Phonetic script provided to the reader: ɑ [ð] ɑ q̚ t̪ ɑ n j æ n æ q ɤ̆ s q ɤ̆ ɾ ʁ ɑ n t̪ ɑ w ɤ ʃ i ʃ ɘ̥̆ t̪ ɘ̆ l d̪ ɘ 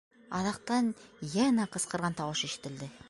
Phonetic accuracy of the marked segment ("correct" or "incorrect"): correct